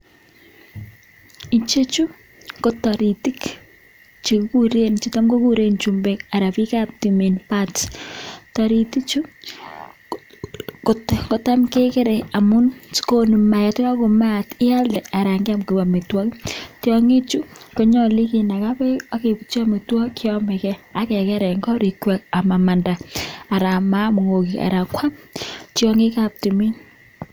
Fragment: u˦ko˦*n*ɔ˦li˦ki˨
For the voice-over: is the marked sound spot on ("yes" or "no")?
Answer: no